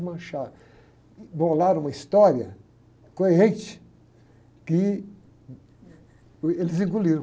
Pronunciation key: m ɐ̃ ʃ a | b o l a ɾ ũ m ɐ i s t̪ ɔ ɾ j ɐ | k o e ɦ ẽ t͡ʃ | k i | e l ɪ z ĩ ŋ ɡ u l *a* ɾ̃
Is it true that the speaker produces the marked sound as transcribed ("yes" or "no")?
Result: no